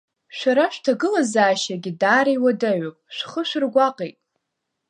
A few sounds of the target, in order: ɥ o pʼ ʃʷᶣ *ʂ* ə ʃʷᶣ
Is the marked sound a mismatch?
yes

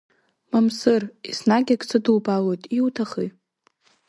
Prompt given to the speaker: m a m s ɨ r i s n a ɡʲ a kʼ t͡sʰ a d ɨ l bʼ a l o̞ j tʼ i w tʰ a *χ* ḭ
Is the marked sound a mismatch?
no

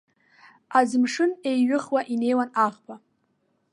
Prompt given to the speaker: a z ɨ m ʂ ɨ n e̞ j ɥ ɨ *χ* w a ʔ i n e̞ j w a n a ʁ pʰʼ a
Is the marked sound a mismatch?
no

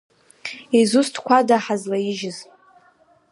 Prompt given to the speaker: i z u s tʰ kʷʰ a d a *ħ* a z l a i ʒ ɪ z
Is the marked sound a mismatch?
no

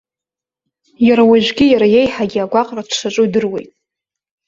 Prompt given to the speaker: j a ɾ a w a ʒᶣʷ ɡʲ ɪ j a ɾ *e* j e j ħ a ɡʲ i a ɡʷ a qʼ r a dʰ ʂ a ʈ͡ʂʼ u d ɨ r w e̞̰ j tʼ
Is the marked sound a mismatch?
yes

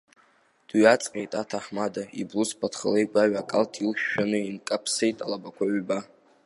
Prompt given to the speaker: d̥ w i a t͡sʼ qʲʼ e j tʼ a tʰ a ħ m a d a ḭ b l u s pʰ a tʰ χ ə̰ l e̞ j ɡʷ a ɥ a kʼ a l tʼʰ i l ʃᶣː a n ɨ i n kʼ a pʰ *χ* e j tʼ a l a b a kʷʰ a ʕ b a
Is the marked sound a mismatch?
yes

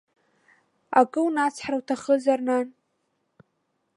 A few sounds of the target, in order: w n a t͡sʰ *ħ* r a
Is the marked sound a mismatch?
no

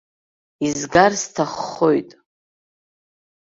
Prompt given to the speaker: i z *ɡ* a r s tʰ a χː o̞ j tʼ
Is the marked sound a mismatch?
no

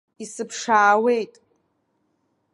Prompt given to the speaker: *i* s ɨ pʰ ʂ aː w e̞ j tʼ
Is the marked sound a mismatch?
no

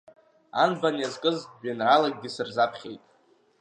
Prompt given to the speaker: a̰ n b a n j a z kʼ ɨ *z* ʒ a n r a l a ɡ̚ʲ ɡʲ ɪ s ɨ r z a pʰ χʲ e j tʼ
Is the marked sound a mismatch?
no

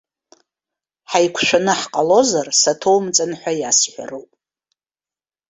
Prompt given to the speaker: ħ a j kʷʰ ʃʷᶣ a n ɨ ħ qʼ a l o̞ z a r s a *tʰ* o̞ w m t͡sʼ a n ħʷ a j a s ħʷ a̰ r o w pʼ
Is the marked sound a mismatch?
no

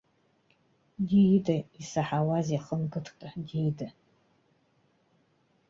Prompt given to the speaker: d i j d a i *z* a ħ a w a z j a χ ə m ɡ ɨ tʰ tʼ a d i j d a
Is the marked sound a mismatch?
yes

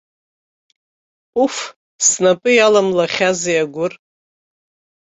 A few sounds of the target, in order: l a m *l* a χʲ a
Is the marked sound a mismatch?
no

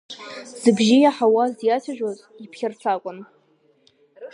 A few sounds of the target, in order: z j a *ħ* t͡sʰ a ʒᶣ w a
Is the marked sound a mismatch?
yes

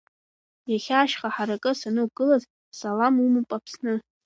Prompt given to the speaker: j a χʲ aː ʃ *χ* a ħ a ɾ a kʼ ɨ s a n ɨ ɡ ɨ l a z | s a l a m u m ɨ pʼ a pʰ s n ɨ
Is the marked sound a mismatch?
no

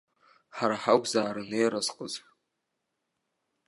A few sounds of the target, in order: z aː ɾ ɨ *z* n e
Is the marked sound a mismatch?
yes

